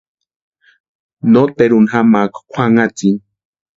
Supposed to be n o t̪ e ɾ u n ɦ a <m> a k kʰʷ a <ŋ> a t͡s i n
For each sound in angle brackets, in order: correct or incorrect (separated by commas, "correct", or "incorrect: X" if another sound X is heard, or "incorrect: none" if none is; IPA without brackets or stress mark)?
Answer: correct, correct